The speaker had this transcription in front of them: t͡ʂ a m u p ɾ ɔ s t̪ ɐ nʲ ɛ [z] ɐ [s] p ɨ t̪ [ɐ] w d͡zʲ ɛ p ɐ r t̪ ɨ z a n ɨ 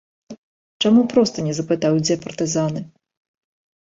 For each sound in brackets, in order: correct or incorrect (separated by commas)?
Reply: correct, incorrect, incorrect